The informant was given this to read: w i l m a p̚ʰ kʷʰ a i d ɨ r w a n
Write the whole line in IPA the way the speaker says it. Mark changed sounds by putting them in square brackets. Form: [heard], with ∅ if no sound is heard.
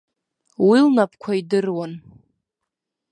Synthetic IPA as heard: w i l [n] a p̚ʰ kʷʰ a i d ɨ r w a n